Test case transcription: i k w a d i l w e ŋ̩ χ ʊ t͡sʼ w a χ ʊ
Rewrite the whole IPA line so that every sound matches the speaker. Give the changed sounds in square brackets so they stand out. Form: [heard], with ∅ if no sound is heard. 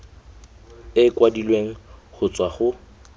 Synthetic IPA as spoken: [ɪ] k w a d i l w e ŋ̩ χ ʊ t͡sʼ w a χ ʊ